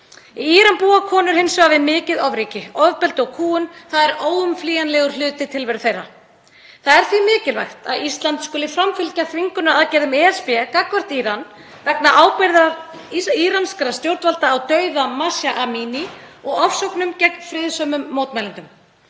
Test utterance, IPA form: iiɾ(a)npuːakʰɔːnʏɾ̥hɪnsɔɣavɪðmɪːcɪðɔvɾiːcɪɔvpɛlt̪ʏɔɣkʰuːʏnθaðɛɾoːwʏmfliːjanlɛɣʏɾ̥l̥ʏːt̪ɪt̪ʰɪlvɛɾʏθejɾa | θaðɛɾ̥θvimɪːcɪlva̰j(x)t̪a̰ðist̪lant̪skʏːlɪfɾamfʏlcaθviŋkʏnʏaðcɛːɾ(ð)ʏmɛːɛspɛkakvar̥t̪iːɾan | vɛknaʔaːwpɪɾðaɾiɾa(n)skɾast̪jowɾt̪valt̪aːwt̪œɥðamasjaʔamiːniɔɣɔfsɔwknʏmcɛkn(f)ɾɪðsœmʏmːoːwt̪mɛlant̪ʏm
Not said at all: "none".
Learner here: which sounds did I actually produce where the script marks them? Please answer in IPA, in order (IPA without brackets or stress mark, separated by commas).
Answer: a, x, ð, n, f